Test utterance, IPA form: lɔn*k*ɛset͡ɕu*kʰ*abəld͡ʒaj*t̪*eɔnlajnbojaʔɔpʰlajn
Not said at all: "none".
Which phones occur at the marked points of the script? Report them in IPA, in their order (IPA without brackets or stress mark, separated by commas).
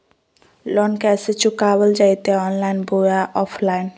k, k, t̪